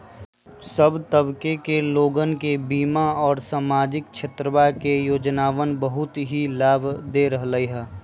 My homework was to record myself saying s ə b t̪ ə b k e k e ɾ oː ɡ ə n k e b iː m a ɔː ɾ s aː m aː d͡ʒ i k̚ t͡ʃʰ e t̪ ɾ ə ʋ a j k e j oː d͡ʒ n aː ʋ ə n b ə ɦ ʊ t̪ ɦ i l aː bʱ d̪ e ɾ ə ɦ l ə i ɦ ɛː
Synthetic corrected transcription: s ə b t̪ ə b k e k e l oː ɡ ə n k e b iː m a ɔː ɾ s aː m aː d͡ʒ ɪ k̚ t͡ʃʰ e t̪ ɾ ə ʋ a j k e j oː d͡ʒ n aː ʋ ə n b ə ɦ ʊ t̪ ɦ i l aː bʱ d̪ e ɾ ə ɦ l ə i ɦ ɛː